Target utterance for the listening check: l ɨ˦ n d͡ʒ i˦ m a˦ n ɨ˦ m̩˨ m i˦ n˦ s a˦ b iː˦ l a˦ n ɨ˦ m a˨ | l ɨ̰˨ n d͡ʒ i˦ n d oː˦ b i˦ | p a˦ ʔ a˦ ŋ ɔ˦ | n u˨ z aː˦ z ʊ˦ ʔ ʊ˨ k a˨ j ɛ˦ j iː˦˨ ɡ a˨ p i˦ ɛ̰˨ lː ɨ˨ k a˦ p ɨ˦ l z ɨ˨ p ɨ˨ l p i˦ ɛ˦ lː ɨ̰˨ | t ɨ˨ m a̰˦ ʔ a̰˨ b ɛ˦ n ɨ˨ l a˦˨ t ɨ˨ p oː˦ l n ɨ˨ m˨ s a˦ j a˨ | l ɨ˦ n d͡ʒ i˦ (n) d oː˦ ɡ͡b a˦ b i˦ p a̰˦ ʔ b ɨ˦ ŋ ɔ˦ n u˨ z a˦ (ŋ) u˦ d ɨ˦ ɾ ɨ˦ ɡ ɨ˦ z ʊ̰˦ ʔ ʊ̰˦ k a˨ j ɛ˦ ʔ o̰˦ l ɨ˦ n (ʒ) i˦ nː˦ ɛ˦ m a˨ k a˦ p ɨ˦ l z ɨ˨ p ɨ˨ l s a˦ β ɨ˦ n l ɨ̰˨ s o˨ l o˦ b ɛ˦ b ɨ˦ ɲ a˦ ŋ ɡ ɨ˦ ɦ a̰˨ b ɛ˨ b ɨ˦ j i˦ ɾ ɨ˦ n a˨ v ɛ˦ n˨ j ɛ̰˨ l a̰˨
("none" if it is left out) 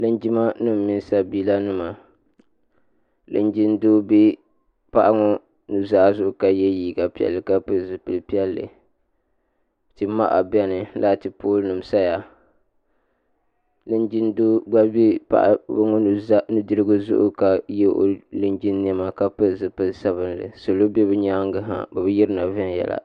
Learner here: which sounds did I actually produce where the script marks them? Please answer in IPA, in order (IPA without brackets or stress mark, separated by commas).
n, n, d͡ʒ